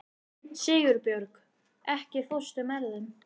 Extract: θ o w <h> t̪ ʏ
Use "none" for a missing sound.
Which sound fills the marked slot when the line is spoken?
s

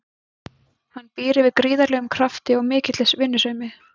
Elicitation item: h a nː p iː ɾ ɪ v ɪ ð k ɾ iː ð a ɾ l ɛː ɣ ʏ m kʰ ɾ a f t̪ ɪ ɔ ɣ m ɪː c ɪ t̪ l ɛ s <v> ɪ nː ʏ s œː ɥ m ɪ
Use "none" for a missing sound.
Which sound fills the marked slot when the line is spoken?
v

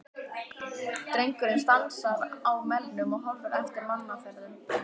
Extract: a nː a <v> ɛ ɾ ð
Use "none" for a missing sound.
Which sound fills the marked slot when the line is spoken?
f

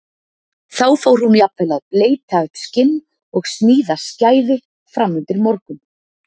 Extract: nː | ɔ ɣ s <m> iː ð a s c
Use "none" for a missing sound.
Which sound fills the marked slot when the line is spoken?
n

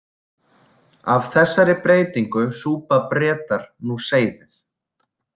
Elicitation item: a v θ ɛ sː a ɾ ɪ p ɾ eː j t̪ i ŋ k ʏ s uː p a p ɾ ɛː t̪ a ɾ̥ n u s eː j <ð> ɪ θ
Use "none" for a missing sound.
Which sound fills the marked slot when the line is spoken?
ð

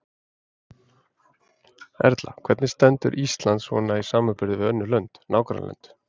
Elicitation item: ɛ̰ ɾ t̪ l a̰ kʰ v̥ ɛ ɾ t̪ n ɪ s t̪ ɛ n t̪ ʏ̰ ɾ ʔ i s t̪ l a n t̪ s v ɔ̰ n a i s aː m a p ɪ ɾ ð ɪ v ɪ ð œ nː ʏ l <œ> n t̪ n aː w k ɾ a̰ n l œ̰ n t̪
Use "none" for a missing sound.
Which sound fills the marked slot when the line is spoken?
œ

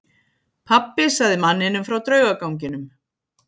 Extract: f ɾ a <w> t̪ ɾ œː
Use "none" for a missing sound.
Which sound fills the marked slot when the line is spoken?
w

